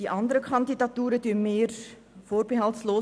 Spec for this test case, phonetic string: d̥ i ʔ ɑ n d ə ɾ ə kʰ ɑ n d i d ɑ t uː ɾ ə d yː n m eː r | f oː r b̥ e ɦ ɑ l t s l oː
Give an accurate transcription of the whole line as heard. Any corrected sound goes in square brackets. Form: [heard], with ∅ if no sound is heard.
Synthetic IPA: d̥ i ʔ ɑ n d ə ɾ ə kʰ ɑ n d i d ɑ t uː ɾ ə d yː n m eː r | f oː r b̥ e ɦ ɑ l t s l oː